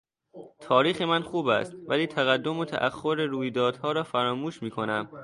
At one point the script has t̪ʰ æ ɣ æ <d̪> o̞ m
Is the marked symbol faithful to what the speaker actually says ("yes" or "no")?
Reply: no